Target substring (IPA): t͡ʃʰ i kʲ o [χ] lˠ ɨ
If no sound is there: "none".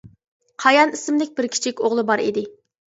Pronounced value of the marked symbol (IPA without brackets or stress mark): ʁ